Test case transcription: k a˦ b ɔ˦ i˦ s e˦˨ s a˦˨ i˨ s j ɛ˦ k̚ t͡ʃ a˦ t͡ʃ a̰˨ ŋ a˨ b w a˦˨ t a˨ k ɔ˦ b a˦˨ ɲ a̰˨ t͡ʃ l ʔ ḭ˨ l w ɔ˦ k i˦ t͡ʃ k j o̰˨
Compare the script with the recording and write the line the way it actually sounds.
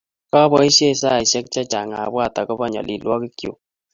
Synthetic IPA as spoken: k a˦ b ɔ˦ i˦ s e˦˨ s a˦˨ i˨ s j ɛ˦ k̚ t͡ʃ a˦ t͡ʃ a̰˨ ŋ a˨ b w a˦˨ t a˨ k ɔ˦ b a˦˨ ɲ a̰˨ l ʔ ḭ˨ l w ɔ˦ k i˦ k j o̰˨